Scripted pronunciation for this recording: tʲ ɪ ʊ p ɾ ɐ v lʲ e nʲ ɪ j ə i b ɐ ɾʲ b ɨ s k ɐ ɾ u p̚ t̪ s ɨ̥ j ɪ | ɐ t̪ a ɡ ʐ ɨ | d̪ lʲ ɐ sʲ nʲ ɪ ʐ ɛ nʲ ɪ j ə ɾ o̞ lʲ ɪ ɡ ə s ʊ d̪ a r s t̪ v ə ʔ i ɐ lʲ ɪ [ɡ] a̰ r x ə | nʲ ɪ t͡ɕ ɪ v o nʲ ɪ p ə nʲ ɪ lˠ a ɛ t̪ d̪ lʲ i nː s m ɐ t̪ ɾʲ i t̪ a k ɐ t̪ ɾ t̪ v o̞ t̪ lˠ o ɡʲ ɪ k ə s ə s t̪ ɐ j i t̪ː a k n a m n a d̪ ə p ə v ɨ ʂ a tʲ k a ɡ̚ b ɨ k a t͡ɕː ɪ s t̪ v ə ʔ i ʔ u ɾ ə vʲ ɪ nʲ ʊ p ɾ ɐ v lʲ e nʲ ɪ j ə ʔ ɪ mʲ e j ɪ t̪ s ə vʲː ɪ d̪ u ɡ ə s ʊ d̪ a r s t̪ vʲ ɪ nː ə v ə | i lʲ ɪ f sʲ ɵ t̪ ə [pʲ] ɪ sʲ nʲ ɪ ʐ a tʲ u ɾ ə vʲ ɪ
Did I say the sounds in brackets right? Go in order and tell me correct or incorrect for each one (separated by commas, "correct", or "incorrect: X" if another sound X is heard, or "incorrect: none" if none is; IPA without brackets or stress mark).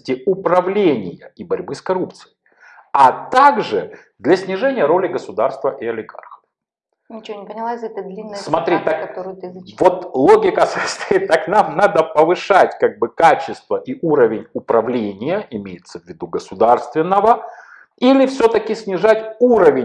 correct, incorrect: kʲ